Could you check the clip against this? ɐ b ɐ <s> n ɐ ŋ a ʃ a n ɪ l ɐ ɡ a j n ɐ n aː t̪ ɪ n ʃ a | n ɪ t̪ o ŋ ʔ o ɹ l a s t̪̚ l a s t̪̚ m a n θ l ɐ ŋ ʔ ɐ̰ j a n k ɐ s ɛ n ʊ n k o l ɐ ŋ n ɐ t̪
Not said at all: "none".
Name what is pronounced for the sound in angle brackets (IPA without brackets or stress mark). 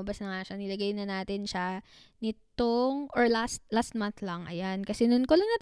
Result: s